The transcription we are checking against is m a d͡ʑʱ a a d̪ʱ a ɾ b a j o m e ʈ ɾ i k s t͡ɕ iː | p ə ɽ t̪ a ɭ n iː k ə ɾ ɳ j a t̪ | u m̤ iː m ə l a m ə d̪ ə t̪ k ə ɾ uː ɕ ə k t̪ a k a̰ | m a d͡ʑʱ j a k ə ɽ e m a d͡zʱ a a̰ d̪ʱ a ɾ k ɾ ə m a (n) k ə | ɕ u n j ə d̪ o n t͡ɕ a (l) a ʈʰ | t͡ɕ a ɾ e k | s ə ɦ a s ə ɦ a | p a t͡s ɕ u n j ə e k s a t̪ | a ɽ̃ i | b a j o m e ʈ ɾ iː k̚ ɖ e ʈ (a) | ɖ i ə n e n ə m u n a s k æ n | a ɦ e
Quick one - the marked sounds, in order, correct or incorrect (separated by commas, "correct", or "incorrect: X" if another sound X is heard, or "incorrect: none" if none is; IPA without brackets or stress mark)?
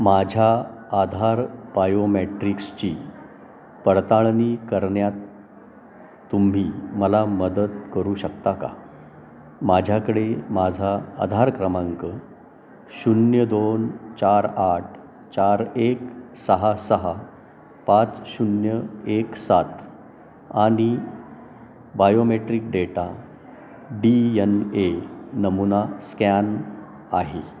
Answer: incorrect: ŋ, incorrect: ɾ, correct